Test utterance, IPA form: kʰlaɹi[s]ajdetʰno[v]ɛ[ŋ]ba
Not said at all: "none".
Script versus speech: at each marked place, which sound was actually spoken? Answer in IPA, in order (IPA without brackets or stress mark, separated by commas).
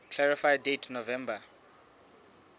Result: f, v, m